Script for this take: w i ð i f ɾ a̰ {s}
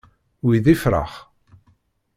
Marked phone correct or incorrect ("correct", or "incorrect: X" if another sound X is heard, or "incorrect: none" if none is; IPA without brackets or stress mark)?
incorrect: χ